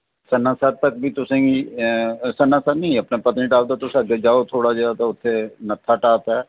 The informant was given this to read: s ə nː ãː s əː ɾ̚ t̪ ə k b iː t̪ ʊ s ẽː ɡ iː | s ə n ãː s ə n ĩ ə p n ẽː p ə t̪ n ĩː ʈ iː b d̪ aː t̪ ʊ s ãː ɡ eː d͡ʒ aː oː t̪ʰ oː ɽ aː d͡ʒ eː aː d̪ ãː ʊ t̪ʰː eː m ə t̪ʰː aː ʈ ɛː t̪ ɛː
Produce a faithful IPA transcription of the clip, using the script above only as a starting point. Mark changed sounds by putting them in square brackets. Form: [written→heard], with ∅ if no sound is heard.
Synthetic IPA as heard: s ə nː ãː s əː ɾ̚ t̪ ə k b iː t̪ ʊ s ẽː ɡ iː | s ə n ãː s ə n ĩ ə p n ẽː p ə t̪ n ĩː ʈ [iː→aː] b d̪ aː t̪ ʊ s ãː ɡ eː d͡ʒ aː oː t̪ʰ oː ɽ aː d͡ʒ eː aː [d̪→t̪] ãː ʊ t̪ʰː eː [m→n] ə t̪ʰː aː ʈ [ɛː→aː] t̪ ɛː